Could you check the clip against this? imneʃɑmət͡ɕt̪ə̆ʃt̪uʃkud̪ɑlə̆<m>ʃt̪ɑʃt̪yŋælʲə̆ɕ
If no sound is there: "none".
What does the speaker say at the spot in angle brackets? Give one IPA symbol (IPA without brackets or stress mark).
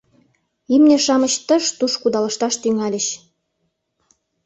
none